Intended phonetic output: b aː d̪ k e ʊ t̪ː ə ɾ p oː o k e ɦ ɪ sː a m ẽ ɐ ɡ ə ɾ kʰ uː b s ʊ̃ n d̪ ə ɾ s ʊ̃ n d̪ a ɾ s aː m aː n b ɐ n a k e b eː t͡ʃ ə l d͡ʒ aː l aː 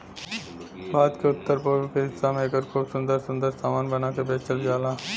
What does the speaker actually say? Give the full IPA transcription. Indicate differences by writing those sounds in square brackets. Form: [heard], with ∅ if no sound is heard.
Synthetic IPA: b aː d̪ k e ʊ t̪ː ə ɾ p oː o k e ɦ ɪ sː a m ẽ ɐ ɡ ə ɾ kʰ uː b s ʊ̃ n d̪ ə ɾ s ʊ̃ n d̪ [ə] ɾ s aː m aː n b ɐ n a k e b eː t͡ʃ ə l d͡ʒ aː l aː